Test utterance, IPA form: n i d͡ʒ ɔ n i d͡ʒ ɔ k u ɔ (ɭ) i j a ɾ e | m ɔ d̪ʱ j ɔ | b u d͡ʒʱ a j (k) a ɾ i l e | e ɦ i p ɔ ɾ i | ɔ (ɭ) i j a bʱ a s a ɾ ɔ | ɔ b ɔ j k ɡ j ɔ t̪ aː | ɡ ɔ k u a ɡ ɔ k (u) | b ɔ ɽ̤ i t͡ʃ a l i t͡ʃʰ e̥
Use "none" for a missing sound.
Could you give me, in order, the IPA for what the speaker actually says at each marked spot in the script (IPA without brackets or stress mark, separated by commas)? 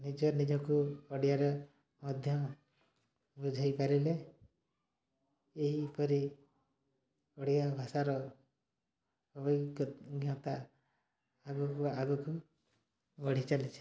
ɽ, p, ɽ, u